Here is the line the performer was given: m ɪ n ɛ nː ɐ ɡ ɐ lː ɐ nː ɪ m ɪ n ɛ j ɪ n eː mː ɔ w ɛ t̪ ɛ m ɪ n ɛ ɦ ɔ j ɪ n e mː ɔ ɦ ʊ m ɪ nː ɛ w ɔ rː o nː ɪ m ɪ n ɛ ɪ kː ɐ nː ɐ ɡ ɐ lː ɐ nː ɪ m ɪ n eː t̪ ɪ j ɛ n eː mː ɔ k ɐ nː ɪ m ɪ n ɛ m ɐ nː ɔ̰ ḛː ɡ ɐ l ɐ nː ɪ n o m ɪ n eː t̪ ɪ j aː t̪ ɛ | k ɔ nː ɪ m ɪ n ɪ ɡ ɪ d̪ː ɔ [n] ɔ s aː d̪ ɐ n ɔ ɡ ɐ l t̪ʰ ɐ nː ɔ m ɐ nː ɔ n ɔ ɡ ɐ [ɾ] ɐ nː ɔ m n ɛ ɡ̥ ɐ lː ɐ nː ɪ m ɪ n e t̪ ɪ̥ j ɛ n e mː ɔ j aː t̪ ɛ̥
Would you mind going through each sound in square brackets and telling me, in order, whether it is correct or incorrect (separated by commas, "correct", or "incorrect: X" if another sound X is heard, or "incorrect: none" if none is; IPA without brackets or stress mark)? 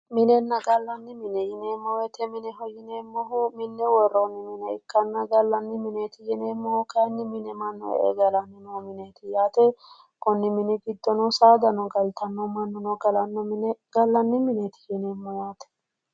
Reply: correct, incorrect: l